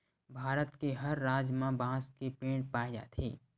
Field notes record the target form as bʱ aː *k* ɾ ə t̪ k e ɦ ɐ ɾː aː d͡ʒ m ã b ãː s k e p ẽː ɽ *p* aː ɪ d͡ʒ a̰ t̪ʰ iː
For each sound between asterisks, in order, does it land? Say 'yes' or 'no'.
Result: no, yes

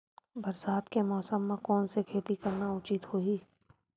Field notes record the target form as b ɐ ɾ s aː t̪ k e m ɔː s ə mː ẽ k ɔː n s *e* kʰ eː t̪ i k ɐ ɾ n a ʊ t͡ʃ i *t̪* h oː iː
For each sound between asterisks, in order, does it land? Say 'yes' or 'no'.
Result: yes, yes

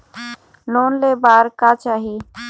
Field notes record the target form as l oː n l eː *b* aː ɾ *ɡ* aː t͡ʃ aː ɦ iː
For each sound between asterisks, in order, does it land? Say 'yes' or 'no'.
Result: yes, no

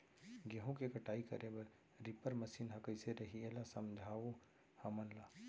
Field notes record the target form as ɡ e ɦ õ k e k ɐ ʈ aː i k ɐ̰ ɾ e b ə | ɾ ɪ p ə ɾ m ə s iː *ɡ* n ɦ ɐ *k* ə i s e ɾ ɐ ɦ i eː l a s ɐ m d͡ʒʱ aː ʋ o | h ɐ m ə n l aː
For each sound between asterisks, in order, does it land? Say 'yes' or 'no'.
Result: no, yes

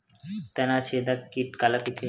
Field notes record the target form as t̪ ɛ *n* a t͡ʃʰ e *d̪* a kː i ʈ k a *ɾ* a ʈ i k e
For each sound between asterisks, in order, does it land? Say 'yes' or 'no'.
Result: yes, yes, no

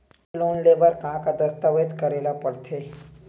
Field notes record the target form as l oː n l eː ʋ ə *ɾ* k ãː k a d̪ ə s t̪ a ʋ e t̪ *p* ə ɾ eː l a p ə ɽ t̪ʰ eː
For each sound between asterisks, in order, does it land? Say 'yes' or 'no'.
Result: yes, no

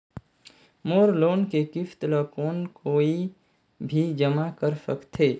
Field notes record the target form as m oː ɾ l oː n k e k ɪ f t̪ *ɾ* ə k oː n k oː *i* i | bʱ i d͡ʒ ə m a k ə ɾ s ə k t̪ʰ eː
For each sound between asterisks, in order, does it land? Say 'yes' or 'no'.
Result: no, yes

